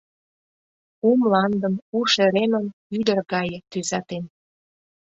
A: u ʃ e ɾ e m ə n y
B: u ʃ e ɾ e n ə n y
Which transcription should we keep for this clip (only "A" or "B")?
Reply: A